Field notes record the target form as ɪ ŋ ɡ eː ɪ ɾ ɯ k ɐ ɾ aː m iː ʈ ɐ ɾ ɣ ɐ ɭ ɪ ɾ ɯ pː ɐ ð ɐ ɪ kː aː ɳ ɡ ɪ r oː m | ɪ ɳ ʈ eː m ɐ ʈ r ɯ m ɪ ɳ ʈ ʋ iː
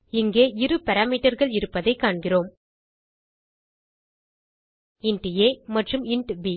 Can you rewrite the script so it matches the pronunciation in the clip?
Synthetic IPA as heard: ɪ ŋ ɡ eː ɪ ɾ ɯ p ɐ ɾ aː m iː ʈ ɐ ɾ ɣ ɐ ɭ ɪ ɾ ɯ pː ɐ ð ɐ ɪ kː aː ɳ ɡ ɪ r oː m | ɪ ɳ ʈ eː m ɐ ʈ r ɯ m ɪ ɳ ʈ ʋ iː